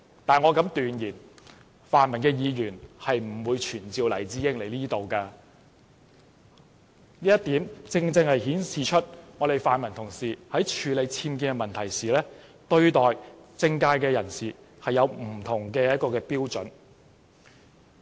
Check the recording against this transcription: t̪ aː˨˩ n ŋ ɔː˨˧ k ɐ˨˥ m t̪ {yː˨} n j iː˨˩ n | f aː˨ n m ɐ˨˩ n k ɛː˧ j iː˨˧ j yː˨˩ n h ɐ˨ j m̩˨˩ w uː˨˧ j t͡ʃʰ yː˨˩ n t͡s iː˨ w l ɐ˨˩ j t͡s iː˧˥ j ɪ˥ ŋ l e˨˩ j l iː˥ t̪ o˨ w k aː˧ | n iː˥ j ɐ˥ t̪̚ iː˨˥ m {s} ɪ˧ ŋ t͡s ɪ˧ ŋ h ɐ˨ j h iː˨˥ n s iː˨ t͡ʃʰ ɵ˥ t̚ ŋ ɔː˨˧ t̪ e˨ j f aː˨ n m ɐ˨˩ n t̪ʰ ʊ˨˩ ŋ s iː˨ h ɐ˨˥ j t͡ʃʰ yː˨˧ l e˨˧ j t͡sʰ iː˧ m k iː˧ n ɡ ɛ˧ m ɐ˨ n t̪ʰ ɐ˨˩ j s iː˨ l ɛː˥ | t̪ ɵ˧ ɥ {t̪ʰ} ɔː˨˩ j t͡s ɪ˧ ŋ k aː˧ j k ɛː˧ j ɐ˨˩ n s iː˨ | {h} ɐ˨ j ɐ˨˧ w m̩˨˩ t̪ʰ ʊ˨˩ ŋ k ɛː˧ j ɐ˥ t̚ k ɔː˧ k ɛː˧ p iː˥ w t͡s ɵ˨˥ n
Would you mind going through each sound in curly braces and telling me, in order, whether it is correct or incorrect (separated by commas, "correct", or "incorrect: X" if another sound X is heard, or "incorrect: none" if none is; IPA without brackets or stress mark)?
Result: correct, incorrect: t͡s, incorrect: t̪, correct